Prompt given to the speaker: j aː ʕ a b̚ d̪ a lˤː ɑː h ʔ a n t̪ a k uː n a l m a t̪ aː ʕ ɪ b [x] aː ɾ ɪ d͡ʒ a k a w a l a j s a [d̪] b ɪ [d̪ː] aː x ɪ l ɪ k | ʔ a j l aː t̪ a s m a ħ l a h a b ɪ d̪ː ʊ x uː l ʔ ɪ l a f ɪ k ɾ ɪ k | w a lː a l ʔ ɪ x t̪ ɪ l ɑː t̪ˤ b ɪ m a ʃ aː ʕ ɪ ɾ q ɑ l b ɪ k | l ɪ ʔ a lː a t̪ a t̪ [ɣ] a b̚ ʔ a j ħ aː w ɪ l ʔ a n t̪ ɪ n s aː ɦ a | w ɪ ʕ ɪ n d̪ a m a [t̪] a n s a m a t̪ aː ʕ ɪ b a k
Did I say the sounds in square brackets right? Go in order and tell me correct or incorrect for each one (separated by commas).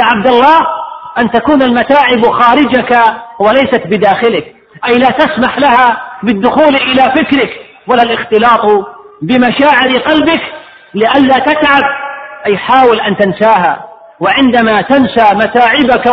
correct, incorrect, incorrect, incorrect, correct